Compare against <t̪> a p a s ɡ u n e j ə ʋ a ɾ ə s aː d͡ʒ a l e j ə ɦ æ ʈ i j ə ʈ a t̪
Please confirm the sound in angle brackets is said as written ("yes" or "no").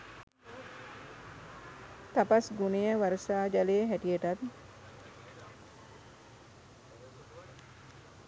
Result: yes